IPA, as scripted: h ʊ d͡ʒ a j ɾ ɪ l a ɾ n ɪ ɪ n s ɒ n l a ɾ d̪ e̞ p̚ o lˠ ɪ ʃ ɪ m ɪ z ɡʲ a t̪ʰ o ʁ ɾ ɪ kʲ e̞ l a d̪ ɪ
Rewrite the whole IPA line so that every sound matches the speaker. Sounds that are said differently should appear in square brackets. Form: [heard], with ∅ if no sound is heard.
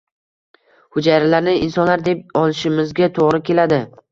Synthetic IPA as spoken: h ʊ d͡ʒ a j ɾ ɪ l a ɾ n ɪ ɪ n s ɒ n l a ɾ d̪ e̞ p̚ [ɒ] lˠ ɪ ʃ ɪ m ɪ z ɡʲ a t̪ʰ o ʁ ɾ ɪ kʲ e̞ l a d̪ ɪ